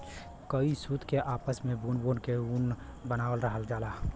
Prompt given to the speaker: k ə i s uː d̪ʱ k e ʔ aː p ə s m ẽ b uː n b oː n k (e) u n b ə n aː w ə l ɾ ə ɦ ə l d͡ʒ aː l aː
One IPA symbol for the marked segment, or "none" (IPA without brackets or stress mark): e